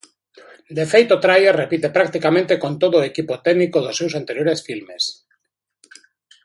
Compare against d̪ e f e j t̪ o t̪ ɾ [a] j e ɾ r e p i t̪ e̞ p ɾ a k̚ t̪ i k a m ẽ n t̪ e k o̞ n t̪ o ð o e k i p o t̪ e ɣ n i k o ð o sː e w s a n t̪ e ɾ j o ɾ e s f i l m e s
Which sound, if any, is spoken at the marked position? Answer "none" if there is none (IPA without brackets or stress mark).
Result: a